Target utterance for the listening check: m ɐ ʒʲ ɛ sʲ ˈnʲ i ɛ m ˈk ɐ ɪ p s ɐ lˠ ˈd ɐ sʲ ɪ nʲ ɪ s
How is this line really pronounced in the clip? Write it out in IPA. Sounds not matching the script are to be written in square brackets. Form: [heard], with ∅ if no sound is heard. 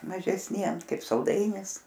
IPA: m ɐ ʒʲ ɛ sʲ ˈnʲ i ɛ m ˈk ɐ ɪ p s ɐ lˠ ˈd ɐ [∅] ɪ nʲ ɪ s